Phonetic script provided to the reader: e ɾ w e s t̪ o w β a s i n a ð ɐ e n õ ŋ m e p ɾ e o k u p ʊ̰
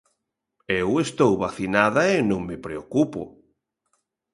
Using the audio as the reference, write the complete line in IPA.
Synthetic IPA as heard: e w e s t̪ o w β a θ i n a ð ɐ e n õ ŋ m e p ɾ e o k u p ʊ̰